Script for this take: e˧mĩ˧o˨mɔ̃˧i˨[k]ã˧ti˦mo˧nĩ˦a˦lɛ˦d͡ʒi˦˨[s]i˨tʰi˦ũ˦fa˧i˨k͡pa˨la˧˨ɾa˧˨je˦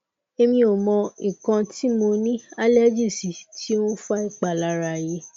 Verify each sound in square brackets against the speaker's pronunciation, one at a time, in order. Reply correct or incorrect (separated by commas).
correct, correct